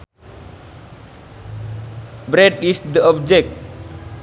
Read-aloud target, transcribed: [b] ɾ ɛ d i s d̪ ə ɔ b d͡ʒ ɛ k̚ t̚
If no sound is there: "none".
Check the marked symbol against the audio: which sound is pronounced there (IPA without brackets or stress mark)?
b